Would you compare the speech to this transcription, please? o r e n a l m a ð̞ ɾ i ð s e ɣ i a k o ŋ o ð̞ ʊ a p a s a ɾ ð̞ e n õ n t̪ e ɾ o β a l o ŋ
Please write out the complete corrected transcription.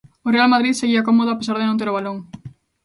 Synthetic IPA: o r e a l m a ð̞ ɾ i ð s e ɣ i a k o m o ð̞ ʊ a p e s a ɾ ð̞ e n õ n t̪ e ɾ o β a l o ŋ